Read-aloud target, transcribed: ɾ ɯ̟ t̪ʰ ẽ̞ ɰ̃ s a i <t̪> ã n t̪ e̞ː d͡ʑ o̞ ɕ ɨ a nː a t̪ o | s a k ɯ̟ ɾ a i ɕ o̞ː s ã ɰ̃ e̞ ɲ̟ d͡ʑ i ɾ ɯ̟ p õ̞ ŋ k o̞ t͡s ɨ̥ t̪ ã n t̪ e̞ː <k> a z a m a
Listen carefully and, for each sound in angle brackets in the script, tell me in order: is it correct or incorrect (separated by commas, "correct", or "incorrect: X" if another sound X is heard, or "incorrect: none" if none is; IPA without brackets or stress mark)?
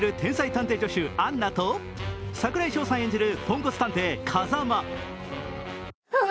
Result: correct, incorrect: kʰ